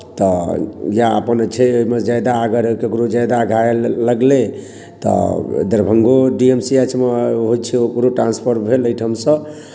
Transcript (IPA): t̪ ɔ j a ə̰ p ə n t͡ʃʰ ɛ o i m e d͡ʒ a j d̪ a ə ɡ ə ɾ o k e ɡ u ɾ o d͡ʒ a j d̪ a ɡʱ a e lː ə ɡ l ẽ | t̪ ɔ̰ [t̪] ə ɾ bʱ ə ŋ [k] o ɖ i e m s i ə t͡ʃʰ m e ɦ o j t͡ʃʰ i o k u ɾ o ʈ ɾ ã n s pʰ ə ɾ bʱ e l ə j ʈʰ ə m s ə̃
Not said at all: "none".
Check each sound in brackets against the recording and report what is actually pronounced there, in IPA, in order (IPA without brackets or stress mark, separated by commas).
d̪, ɡ